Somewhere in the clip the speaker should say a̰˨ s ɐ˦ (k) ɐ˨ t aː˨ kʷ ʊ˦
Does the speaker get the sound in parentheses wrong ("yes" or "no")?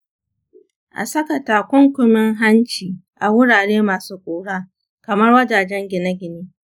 no